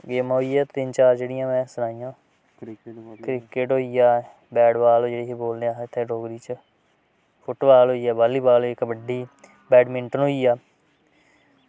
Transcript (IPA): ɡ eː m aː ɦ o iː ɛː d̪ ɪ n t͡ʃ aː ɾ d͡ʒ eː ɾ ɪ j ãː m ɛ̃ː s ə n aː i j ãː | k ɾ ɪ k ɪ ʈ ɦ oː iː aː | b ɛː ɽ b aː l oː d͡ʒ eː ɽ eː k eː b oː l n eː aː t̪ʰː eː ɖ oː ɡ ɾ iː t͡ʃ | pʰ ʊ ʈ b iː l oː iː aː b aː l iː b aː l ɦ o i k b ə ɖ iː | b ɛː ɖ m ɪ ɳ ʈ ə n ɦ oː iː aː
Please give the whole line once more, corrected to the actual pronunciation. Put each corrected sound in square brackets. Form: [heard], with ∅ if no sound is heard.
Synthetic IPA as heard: ɡ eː m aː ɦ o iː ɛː [t̪] ɪ n t͡ʃ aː ɾ d͡ʒ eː [ɽ] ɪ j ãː m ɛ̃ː s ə n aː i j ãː | k ɾ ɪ k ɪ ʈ ɦ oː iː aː | b ɛː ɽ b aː l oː d͡ʒ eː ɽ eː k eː b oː l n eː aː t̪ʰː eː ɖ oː ɡ ɾ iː t͡ʃ | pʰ ʊ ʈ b [aː] l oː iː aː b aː l iː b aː l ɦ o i k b ə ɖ iː | b ɛː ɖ m ɪ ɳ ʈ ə n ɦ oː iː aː